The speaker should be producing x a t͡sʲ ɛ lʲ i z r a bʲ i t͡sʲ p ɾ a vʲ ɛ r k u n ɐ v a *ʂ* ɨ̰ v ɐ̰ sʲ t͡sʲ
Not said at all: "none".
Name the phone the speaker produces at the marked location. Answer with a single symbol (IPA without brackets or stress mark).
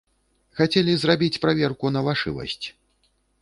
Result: ʂ